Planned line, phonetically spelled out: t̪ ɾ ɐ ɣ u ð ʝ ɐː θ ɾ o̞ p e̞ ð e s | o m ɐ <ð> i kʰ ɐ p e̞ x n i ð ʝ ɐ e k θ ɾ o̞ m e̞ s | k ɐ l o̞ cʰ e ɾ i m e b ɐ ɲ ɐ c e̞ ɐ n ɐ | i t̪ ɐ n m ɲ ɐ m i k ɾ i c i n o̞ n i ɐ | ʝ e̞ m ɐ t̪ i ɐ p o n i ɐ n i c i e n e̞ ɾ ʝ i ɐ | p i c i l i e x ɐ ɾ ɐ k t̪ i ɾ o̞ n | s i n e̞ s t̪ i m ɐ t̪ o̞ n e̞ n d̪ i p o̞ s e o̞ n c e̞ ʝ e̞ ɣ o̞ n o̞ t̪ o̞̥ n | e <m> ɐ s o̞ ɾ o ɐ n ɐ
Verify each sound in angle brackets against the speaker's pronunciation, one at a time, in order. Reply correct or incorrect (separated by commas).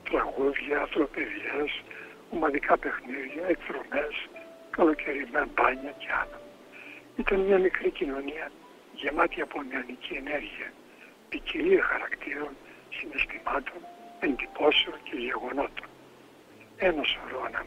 correct, incorrect